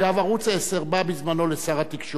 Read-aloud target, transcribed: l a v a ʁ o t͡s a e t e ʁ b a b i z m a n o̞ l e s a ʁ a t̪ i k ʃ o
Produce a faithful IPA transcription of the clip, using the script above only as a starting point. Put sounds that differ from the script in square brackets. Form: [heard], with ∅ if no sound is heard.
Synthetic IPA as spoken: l a v a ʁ [u] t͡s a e [s] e ʁ b a b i z m a n o̞ l e s a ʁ a t̪ i k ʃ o